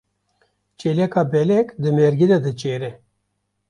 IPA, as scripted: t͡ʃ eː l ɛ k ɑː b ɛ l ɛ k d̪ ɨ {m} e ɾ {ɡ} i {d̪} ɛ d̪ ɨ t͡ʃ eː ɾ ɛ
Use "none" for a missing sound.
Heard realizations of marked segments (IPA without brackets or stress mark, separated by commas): m, ɡ, d̪